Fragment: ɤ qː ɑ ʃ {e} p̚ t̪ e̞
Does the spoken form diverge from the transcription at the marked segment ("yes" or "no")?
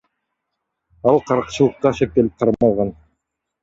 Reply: no